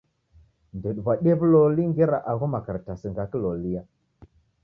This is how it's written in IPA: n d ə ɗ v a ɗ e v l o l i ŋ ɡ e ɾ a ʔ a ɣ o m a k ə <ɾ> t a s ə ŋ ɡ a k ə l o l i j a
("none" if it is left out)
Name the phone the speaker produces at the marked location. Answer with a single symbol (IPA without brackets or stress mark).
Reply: ɾ